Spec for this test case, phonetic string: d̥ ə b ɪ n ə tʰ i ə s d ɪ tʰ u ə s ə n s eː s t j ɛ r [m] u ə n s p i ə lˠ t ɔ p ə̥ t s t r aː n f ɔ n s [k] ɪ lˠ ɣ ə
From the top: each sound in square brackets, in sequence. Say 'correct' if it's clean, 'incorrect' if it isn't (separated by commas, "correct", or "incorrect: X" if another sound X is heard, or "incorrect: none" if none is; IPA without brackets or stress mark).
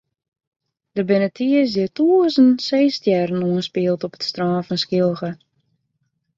incorrect: n, correct